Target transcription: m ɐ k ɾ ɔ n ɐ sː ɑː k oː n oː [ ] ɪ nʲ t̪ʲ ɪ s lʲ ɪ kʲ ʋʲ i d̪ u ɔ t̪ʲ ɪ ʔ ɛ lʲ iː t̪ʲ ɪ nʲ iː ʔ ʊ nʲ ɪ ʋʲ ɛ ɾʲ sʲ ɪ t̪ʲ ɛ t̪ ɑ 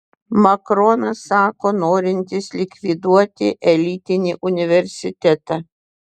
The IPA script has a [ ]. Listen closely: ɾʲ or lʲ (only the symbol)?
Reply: ɾʲ